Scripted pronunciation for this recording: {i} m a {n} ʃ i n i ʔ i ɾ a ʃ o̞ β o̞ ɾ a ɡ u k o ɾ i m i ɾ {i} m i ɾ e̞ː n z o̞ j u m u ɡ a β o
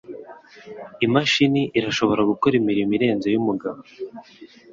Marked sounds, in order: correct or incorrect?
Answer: correct, incorrect: none, correct

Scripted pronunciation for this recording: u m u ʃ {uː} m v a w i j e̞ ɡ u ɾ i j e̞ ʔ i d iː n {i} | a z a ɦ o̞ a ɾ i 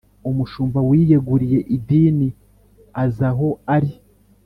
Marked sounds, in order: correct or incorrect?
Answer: correct, correct

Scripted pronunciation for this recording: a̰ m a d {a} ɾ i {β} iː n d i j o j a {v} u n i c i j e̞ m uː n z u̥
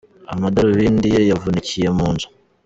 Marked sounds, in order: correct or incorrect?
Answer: correct, correct, correct

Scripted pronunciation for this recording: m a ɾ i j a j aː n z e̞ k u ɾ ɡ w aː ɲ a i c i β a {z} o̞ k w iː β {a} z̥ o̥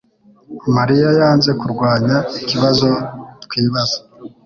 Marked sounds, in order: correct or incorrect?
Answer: correct, correct

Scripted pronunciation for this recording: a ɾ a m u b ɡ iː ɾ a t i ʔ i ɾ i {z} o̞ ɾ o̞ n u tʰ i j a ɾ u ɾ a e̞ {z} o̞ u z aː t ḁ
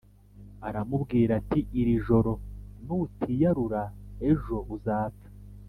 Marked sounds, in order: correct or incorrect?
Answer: incorrect: ʒ, incorrect: ʒ

